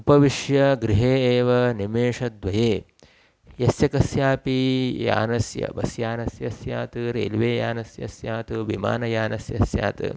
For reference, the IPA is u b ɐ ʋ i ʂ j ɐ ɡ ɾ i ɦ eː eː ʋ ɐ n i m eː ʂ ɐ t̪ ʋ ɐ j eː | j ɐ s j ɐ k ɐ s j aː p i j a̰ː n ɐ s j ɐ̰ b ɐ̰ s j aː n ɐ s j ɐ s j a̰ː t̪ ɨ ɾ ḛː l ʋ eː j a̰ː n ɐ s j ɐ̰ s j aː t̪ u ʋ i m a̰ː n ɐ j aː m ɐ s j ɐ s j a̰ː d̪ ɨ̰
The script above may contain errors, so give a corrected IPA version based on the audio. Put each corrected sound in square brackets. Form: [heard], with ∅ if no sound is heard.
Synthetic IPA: u [p] ɐ ʋ i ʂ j ɐ ɡ ɾ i ɦ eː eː ʋ ɐ n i m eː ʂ ɐ [d̪] ʋ ɐ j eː | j ɐ s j ɐ k ɐ s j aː p i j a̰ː n ɐ s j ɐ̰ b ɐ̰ s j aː n ɐ s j ɐ s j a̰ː t̪ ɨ ɾ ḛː l ʋ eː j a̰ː n ɐ s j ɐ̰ s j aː t̪ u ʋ i m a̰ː n ɐ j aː [n] ɐ s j ɐ s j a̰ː [t̪] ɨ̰